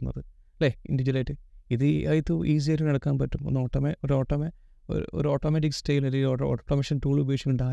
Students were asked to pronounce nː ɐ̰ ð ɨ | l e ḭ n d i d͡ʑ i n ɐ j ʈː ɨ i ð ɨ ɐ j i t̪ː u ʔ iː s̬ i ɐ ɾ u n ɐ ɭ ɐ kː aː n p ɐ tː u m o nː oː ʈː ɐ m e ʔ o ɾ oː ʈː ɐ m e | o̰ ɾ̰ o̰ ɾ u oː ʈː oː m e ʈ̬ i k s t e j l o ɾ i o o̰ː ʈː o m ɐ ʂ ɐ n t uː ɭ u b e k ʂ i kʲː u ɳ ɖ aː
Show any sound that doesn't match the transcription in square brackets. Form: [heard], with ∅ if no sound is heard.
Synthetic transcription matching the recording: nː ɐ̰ ð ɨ | l e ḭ n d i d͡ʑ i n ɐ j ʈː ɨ i ð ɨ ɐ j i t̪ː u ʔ iː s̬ i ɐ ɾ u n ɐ [ɽ] ɐ kː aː n p ɐ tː u m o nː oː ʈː ɐ m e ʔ o ɾ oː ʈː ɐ m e | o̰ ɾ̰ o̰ ɾ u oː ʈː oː m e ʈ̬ i k s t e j l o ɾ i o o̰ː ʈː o m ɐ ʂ ɐ n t uː ɭ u b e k ʂ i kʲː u ɳ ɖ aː